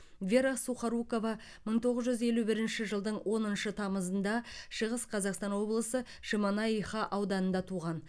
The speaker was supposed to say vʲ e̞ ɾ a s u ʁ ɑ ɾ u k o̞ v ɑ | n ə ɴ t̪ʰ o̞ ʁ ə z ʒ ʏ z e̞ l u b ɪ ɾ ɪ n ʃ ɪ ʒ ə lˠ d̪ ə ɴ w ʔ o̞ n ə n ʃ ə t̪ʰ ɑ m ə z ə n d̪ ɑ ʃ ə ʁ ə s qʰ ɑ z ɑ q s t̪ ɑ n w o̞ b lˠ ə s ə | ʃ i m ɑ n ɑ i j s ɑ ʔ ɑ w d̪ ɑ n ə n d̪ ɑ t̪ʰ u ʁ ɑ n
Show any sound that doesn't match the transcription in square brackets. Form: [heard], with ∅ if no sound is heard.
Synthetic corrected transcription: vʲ e̞ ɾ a s u [χ] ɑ ɾ u k o̞ v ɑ | [m] ə ɴ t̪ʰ o̞ ʁ ə z ʒ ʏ z e̞ l u b ɪ ɾ ɪ n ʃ ɪ ʒ ə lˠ d̪ ə ɴ w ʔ o̞ n ə n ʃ ə t̪ʰ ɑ m ə z ə n d̪ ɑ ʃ ə ʁ ə s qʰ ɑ z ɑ q s t̪ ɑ n w o̞ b lˠ ə s ə | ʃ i m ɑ n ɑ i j [χ] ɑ ʔ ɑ w d̪ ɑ n ə n d̪ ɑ t̪ʰ u ʁ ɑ n